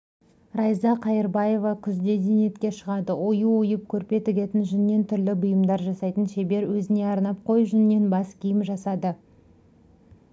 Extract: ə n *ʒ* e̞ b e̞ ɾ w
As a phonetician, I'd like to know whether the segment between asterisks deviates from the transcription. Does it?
yes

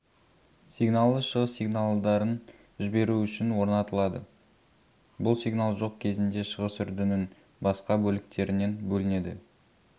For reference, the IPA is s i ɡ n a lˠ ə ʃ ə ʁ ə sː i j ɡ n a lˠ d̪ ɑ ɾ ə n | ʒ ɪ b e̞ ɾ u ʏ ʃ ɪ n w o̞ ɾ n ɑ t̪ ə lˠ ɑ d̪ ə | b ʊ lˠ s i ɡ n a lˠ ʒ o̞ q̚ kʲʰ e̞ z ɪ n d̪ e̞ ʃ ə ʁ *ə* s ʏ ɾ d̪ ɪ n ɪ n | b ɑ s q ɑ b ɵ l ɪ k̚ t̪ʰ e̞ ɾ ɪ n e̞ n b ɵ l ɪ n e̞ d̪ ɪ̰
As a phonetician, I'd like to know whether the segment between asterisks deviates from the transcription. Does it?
no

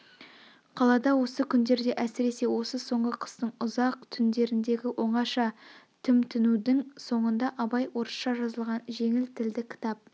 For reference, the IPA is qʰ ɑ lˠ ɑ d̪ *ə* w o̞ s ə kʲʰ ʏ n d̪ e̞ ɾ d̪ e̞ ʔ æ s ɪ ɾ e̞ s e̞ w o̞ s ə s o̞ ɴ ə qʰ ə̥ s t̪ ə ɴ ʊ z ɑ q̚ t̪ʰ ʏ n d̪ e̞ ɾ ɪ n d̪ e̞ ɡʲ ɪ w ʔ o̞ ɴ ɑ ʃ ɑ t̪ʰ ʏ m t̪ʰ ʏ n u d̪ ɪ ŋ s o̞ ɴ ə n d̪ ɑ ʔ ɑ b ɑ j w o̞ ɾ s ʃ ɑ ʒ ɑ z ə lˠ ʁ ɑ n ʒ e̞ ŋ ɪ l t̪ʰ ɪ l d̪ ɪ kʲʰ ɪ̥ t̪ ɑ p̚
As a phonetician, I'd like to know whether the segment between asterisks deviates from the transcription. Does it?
yes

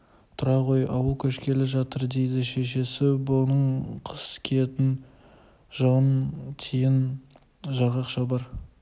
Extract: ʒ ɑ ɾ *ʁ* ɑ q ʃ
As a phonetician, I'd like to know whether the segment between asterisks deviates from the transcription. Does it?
no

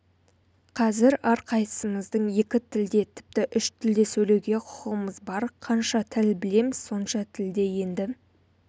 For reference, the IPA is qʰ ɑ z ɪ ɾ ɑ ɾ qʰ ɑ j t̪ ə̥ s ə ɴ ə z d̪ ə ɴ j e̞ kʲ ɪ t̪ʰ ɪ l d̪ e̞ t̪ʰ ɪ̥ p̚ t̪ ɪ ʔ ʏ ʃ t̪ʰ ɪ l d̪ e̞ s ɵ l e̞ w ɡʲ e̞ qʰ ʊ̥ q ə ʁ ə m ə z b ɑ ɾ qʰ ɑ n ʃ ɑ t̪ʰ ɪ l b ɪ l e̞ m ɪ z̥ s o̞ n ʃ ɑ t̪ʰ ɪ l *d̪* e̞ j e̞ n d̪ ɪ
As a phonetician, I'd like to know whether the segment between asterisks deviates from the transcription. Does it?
no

